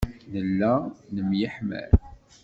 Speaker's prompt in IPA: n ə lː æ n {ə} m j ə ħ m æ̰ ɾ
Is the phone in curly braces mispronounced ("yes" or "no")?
no